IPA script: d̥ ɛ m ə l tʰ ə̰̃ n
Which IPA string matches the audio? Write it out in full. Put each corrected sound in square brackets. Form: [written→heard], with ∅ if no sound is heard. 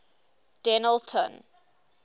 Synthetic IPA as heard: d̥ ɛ [m→n] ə l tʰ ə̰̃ n